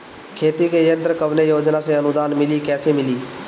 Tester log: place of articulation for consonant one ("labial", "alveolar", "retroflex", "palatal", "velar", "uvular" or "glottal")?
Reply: velar